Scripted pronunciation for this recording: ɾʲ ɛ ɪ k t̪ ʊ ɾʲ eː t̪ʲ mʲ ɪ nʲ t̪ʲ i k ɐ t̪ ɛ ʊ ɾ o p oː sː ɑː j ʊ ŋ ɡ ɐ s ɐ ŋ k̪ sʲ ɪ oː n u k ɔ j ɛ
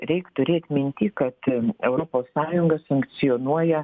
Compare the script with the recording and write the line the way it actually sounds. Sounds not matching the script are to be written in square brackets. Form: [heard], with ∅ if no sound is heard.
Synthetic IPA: ɾʲ ɛ ɪ k t̪ ʊ ɾʲ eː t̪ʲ mʲ ɪ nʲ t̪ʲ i k ɐ t̪ ɛ ʊ ɾ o p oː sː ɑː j ʊ ŋ ɡ ɐ s ɐ ŋ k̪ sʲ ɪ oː n u [∅] ɔ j ɛ